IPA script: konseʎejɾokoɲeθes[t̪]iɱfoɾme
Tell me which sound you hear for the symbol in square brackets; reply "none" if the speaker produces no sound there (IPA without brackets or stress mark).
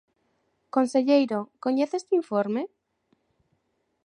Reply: t̪